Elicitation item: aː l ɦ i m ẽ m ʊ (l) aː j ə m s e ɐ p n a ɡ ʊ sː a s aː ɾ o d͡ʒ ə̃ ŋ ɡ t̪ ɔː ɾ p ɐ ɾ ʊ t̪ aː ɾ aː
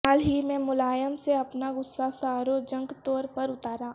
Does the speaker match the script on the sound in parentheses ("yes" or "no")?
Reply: yes